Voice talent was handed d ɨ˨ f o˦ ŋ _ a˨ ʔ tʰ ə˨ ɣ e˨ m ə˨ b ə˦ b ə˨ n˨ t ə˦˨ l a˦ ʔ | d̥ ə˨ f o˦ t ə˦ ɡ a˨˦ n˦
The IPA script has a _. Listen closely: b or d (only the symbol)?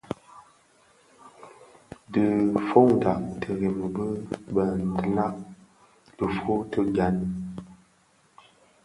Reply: d